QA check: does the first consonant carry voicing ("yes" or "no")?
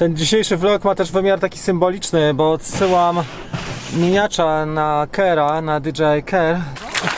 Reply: no